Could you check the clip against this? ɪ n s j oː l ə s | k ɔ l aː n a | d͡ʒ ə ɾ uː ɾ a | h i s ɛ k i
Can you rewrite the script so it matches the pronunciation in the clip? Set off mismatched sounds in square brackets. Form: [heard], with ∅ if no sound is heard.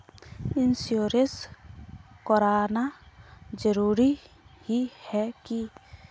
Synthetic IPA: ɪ n s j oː [ɾ] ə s | k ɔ [ɾ] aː n a | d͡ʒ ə ɾ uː ɾ [i] | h i [h] ɛ k i